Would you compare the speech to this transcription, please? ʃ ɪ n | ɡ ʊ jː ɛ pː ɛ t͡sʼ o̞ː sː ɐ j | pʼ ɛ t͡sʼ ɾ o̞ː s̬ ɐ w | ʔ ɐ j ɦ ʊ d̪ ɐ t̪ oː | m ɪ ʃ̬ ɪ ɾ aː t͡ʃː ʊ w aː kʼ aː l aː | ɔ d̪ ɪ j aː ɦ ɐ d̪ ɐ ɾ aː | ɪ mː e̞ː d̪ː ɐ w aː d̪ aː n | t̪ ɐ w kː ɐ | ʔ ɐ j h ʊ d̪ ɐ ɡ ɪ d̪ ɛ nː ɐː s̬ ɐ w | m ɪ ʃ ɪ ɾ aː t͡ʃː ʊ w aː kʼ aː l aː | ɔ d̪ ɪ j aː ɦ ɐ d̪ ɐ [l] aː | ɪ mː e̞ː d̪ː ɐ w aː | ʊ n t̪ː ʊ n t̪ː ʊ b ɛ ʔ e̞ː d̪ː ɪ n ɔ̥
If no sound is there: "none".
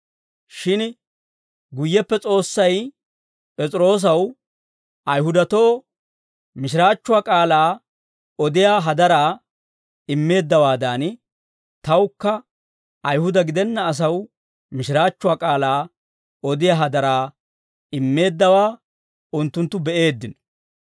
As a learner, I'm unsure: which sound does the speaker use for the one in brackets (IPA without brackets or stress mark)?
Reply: ɾ